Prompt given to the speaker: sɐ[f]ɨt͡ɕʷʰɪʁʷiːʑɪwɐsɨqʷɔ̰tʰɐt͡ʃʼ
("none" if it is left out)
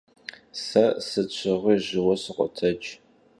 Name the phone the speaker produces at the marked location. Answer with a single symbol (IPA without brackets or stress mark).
s